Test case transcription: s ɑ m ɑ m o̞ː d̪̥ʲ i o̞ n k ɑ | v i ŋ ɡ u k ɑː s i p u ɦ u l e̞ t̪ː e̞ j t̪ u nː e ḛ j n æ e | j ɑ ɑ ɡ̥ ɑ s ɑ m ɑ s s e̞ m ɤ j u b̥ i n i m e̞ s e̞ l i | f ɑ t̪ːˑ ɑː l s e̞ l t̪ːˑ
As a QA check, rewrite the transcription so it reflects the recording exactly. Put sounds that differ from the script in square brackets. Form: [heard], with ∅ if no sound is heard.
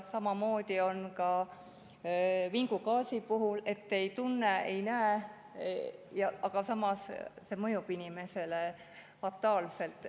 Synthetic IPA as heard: s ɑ m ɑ m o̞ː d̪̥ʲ i o̞ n k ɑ | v i ŋ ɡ u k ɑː s i p u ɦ u l e̞ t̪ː e̞ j t̪ u nː e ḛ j n æ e | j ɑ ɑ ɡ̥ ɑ s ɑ m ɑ s s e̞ m ɤ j u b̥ i n i m e̞ s e̞ l [e] | f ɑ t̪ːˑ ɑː l s e̞ l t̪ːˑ